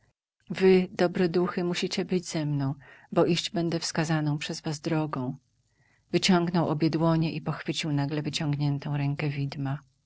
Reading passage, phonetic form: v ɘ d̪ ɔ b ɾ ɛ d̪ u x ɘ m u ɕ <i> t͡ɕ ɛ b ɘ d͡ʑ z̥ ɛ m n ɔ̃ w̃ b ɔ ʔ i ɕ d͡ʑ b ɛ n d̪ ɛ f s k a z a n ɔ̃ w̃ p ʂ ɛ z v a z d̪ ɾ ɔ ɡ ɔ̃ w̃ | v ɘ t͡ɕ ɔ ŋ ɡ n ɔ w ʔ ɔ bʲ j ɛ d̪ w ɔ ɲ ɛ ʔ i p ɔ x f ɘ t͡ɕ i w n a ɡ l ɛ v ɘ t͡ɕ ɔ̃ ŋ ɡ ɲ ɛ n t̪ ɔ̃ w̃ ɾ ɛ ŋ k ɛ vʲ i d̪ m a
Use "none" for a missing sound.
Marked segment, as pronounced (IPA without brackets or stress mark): i